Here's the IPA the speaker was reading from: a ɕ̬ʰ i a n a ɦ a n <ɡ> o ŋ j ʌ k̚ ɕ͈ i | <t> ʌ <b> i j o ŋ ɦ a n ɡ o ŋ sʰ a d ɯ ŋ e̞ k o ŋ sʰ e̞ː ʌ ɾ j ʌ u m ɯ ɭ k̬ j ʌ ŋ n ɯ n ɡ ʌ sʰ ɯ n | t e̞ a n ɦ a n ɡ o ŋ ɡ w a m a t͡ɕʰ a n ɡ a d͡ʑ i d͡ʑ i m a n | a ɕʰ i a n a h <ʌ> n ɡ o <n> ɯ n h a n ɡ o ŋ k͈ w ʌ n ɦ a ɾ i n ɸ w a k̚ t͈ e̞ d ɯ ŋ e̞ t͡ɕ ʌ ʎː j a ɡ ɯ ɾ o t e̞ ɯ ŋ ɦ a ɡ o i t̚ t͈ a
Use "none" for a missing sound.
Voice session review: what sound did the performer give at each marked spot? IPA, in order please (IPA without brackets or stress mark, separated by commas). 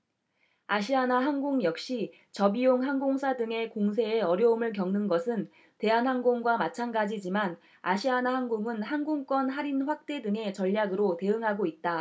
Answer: ɡ, t͡ɕ, b, a, ŋ